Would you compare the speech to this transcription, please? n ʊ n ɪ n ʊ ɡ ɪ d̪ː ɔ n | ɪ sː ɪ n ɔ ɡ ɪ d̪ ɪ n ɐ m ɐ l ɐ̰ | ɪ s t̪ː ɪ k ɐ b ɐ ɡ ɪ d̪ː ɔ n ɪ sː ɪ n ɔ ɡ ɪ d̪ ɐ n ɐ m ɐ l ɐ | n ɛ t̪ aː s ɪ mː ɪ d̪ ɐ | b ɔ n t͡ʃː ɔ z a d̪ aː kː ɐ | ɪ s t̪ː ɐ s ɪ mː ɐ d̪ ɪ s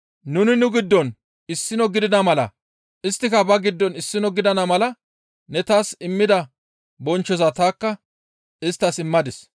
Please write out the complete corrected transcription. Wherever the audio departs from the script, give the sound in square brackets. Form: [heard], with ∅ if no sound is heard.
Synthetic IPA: n ʊ n ɪ n ʊ ɡ ɪ d̪ː ɔ n | ɪ sː ɪ n ɔ ɡ ɪ d̪ ɪ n ɐ m ɐ l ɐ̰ | ɪ s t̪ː ɪ k ɐ b ɐ ɡ ɪ d̪ː ɔ n ɪ sː ɪ n ɔ ɡ ɪ d̪ ɐ n ɐ m ɐ l ɐ | n ɛ t̪ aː s ɪ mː ɪ d̪ ɐ | b ɔ n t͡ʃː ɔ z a [t̪] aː kː ɐ | ɪ s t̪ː ɐ s ɪ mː ɐ d̪ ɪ s